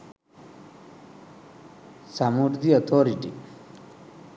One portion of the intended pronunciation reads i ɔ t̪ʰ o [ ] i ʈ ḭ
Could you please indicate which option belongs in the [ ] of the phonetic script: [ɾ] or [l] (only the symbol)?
ɾ